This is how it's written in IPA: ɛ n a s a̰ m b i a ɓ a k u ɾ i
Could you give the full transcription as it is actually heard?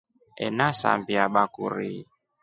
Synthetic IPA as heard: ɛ n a s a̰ m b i a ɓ a k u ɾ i